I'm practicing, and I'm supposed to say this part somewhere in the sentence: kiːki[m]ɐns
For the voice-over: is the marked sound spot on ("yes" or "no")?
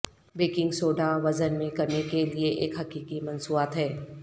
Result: yes